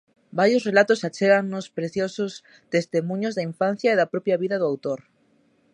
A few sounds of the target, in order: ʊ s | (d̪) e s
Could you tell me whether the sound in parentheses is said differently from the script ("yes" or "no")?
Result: yes